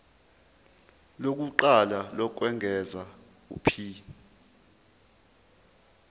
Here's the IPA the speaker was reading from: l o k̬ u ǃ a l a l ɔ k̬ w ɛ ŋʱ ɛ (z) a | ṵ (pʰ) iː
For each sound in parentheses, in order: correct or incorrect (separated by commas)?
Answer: correct, correct